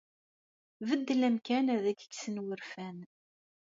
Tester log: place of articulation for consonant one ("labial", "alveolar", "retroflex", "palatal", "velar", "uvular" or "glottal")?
labial